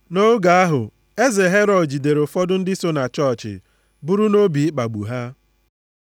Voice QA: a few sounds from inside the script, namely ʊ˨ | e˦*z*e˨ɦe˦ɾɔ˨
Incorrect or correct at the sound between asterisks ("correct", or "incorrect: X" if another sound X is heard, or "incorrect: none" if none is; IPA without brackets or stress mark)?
correct